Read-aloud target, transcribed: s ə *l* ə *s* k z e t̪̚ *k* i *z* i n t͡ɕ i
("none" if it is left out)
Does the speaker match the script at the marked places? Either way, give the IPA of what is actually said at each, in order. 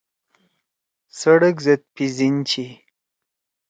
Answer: ɽ, none, p, z

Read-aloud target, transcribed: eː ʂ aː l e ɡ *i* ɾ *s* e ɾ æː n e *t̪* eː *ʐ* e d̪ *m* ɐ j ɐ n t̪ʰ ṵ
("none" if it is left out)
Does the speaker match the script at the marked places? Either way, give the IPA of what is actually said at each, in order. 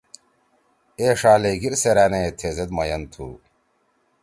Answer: i, s, t̪ʰ, z, m

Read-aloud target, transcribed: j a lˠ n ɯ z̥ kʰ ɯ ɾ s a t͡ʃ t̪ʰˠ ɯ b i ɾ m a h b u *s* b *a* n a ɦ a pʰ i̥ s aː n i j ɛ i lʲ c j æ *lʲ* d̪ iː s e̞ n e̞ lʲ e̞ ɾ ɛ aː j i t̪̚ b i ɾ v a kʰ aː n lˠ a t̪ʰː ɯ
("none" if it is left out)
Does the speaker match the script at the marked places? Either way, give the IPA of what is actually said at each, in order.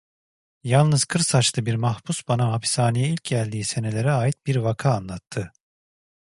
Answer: s, a, lʲ

